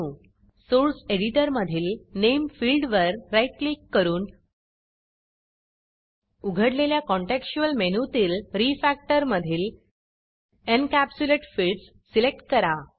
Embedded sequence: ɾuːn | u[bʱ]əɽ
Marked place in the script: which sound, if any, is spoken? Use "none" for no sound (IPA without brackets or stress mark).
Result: ɡʱ